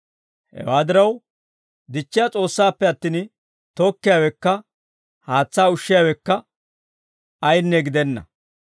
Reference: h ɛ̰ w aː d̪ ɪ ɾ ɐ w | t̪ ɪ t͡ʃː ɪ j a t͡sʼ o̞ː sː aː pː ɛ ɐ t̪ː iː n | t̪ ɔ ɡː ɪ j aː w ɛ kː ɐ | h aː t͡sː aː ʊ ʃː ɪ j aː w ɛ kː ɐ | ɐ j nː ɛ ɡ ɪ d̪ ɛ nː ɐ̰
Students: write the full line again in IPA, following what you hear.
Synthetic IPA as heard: h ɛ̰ w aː d̪ ɪ ɾ ɐ w | d̪ ɪ t͡ʃː ɪ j a t͡sʼ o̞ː sː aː pː ɛ ɐ t̪ː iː n | t̪ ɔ kː ɪ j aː w ɛ kː ɐ | h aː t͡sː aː ʊ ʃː ɪ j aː w ɛ kː ɐ | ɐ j nː ɛ ɡ ɪ d̪ ɛ nː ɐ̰